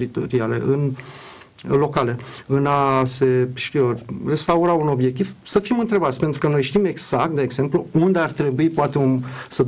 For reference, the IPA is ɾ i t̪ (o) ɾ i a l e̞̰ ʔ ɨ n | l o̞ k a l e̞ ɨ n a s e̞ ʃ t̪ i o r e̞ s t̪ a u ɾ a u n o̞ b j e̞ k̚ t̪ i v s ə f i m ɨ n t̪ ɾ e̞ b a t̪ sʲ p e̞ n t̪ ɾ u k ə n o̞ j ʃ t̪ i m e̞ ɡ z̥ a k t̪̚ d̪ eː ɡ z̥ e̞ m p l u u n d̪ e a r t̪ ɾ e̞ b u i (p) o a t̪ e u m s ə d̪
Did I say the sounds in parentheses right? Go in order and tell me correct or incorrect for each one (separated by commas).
correct, correct